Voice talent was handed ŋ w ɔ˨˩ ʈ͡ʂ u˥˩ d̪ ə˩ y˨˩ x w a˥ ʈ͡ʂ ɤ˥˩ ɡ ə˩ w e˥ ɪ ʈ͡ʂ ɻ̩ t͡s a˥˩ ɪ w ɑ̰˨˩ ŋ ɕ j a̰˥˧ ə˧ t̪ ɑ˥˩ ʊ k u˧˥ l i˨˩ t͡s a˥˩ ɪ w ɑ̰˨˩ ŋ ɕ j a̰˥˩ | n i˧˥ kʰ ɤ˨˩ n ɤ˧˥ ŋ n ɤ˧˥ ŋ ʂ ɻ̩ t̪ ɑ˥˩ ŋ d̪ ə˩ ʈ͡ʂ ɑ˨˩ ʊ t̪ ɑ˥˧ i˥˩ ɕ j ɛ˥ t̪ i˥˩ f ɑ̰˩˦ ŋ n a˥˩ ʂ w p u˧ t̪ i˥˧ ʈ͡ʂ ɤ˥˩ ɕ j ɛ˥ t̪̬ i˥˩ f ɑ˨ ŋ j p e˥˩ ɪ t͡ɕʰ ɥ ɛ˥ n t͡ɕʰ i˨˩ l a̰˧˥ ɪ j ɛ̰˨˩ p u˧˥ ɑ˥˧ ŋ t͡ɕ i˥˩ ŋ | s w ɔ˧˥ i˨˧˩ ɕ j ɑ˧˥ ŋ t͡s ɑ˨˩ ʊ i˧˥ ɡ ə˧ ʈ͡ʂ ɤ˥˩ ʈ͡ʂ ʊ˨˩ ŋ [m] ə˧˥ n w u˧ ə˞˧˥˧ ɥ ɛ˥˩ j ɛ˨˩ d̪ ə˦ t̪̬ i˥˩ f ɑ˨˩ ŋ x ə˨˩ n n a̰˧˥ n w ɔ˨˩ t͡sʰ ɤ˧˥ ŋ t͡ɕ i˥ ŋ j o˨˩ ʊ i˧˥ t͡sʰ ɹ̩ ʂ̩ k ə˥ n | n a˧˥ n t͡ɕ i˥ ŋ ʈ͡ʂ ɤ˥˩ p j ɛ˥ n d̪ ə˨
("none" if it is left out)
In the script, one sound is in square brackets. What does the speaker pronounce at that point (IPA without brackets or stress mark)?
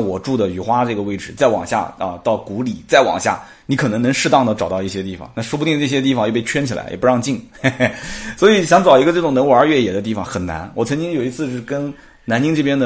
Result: n